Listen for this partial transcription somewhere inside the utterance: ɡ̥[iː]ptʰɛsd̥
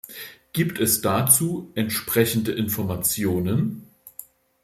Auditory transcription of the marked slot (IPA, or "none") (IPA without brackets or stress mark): iː